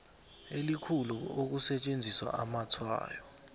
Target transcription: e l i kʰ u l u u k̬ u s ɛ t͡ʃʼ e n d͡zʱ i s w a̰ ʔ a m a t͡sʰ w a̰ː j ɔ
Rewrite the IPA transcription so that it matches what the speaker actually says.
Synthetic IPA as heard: e l i kʰ u l u o k̬ u s ɛ t͡ʃʼ e n d͡zʱ i s w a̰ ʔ a m a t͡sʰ w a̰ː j ɔ